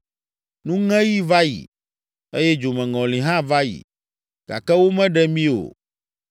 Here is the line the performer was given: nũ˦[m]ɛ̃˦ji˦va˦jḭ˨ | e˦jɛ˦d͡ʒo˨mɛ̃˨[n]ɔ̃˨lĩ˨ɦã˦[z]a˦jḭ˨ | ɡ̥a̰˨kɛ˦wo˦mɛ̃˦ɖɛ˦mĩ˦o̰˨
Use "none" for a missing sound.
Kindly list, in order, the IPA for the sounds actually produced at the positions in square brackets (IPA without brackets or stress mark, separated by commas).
ŋ, ŋ, v